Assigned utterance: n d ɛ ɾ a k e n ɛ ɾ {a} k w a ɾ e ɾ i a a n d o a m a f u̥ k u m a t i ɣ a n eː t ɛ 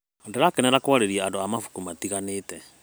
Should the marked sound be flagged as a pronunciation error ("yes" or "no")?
no